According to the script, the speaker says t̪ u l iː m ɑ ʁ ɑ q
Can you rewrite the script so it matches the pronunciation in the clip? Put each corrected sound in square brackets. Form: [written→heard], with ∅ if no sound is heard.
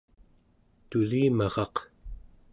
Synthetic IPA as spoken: t̪ u l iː m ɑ ʁ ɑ q